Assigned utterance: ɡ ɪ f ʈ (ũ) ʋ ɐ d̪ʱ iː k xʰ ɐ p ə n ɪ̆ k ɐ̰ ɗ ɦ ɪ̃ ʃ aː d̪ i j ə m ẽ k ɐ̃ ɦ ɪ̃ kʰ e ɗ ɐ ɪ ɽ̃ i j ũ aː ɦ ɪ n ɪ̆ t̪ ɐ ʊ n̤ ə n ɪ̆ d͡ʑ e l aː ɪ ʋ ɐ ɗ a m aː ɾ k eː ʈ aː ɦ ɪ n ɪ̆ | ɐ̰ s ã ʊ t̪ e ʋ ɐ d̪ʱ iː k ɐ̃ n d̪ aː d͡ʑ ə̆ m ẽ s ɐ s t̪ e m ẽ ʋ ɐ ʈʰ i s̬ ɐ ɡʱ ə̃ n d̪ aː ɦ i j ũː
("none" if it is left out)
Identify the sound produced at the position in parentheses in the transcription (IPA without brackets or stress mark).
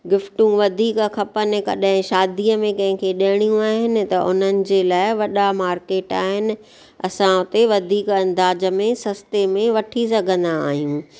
ũ